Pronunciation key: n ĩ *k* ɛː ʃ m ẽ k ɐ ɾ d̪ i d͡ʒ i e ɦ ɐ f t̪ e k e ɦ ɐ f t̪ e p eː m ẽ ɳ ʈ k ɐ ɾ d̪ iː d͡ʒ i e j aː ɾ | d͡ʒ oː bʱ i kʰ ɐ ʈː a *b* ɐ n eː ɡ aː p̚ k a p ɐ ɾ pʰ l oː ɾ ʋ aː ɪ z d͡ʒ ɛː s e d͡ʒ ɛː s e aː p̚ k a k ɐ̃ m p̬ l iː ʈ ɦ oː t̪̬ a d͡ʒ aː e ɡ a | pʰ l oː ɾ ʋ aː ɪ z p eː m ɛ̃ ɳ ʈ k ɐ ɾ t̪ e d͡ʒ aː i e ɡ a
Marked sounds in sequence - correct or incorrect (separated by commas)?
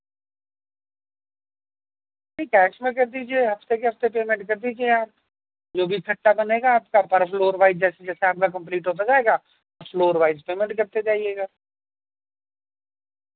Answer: correct, correct